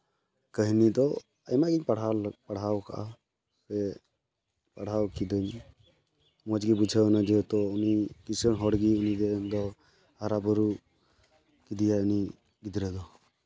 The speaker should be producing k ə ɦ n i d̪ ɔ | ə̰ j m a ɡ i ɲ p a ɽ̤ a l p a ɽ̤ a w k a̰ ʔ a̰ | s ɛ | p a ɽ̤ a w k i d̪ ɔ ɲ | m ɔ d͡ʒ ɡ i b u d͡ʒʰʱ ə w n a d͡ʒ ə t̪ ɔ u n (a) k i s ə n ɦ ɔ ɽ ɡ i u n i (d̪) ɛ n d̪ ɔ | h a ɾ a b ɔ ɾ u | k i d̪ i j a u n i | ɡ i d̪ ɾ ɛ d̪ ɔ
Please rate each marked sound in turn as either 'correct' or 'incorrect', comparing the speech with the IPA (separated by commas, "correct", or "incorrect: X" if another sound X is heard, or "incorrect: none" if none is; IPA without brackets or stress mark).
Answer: incorrect: i, correct